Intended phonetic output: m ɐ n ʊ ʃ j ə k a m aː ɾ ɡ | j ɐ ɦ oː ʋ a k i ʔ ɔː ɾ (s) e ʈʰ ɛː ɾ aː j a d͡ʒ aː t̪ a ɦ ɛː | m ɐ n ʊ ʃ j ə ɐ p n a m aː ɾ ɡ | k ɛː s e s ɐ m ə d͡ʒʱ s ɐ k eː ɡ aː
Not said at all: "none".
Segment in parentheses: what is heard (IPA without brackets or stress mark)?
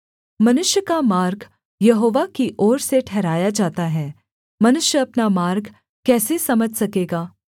s